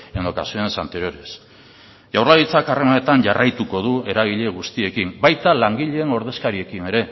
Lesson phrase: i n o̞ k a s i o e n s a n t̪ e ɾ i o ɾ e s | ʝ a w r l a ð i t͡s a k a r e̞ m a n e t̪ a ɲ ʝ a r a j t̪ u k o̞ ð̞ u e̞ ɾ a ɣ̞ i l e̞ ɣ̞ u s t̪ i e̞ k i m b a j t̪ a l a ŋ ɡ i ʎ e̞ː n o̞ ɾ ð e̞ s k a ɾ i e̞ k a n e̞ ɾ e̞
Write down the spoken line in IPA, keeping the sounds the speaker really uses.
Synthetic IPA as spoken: e n o̞ k a s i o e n s a n t̪ e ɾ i o ɾ e s | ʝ a w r l a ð i t͡s a k a r e̞ m a n e t̪ a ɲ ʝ a r a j t̪ u k o̞ ð̞ u e̞ ɾ a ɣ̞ i ʎ e̞ ɣ̞ u s t̪ i e̞ k i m b a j t̪ a l a ŋ ɡ i ʎ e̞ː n o̞ ɾ ð e̞ s k a ɾ i e̞ k i n e̞ ɾ e̞